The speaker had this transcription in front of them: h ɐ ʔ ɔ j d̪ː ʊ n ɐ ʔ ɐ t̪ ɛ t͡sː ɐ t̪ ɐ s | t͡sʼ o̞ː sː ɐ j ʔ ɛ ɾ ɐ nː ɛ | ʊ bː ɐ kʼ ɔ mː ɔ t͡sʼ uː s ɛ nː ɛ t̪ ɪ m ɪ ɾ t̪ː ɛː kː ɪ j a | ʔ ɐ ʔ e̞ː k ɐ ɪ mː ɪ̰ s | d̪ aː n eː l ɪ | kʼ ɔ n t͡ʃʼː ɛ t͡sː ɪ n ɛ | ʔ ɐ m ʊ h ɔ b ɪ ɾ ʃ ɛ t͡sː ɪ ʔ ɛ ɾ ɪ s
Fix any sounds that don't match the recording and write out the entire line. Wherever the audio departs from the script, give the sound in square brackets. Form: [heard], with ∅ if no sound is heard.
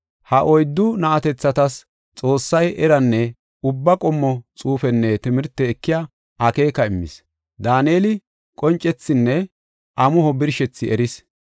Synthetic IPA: h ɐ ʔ ɔ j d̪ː ʊ n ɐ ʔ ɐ t̪ ɛ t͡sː ɐ t̪ ɐ s | t͡sʼ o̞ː sː ɐ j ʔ ɛ ɾ ɐ nː ɛ | ʊ bː ɐ kʼ ɔ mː ɔ t͡sʼ uː [f] ɛ nː ɛ t̪ ɪ m ɪ ɾ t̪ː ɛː kː ɪ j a | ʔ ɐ [k] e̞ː k ɐ ɪ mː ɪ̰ s | d̪ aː n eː l ɪ | kʼ ɔ n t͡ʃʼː ɛ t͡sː ɪ [nː] ɛ | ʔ ɐ m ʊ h ɔ b ɪ ɾ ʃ ɛ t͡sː ɪ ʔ ɛ ɾ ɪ s